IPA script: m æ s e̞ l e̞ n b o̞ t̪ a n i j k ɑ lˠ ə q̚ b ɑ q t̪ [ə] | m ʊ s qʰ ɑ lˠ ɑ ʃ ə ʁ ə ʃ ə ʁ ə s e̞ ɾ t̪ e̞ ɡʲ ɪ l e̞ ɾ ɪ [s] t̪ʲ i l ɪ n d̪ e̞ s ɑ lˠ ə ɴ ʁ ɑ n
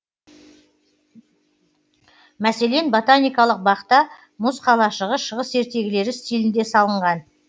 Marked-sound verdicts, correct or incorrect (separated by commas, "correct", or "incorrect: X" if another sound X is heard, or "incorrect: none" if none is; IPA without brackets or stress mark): incorrect: ɑ, correct